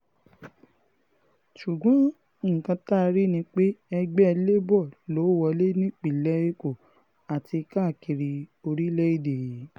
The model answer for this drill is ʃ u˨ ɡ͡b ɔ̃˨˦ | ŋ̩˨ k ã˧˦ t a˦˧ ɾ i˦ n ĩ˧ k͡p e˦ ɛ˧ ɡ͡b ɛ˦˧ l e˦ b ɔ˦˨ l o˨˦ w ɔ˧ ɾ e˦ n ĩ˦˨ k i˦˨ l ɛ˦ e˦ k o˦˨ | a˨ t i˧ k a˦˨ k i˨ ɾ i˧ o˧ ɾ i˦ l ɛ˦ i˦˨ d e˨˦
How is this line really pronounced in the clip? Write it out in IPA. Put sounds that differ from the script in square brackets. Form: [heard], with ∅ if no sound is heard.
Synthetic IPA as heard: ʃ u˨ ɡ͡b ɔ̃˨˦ | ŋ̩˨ k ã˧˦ t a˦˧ ɾ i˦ n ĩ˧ k͡p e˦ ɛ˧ ɡ͡b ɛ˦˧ l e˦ b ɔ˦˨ l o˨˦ w ɔ˧ [l] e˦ n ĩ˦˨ [k͡p] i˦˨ l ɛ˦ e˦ k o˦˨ | a˨ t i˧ k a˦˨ k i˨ ɾ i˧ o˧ ɾ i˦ l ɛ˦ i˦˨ d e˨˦